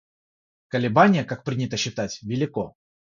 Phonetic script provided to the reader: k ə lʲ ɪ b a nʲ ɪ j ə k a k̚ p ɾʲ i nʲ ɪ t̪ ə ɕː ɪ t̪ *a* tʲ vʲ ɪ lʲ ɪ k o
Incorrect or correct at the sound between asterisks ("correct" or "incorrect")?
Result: correct